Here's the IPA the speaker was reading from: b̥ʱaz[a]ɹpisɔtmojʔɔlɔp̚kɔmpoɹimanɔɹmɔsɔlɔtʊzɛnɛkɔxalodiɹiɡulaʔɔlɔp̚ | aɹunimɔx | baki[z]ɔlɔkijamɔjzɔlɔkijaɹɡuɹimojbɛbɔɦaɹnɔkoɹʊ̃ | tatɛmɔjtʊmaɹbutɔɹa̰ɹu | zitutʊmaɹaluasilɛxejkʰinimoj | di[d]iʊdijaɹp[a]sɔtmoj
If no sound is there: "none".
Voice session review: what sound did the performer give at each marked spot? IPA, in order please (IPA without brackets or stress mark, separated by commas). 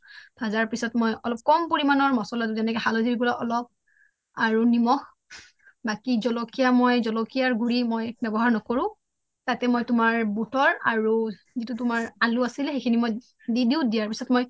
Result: a, z, d, i